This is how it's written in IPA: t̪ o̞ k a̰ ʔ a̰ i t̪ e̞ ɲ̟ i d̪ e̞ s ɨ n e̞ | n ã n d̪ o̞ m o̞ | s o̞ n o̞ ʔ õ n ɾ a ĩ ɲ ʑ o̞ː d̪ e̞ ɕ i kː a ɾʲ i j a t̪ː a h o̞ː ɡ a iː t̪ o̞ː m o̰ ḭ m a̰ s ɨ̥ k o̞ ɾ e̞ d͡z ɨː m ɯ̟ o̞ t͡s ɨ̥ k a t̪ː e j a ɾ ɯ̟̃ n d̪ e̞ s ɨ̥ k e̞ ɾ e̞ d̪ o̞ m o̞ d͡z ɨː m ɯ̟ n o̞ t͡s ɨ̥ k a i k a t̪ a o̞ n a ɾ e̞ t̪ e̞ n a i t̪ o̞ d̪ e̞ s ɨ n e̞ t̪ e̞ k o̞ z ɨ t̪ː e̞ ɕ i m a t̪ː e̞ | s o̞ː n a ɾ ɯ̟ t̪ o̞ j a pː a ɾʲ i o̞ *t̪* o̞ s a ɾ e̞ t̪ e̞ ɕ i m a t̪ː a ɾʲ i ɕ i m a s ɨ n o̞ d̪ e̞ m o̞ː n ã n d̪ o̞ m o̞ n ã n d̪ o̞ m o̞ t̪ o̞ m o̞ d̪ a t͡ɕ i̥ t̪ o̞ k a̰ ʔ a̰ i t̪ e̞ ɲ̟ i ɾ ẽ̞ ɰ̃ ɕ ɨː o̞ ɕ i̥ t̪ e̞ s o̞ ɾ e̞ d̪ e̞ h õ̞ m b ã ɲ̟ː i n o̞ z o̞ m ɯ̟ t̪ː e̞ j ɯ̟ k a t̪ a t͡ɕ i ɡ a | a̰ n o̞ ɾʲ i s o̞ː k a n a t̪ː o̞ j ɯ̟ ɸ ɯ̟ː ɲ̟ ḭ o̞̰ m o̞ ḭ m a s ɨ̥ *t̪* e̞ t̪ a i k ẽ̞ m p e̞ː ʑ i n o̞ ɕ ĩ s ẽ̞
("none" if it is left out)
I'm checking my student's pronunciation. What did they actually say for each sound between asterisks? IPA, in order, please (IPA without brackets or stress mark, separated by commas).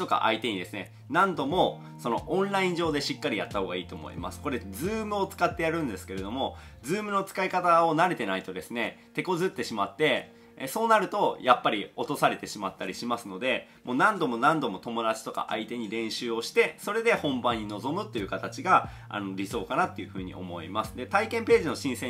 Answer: t̪, d̪